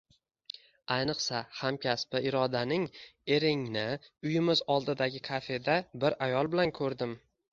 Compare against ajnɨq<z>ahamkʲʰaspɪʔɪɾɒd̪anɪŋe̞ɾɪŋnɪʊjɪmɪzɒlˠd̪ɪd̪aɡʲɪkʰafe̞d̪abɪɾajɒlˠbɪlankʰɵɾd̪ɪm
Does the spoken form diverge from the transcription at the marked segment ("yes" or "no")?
yes